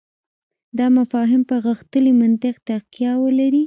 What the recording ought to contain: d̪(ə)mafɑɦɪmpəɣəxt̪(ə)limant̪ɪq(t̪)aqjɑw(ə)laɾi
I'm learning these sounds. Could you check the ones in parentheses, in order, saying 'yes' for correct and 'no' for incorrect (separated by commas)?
no, yes, yes, yes